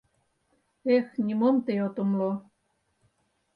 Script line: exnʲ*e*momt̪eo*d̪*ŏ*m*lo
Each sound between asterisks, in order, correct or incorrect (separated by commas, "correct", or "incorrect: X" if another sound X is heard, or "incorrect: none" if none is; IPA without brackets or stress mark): incorrect: i, incorrect: t̪, correct